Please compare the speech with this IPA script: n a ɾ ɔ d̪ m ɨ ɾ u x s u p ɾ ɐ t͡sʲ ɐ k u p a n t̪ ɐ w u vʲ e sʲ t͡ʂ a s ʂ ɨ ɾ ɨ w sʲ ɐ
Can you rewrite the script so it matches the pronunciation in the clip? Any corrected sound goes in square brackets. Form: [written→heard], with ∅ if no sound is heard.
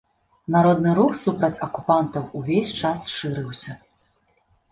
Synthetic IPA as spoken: n a ɾ ɔ d̪ [m→n] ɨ ɾ u x s u p ɾ ɐ t͡sʲ ɐ k u p a n t̪ ɐ w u vʲ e sʲ t͡ʂ a s ʂ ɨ ɾ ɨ w sʲ ɐ